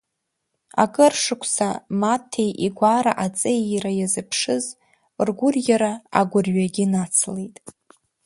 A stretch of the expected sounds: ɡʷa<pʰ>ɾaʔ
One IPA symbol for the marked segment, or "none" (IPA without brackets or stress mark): none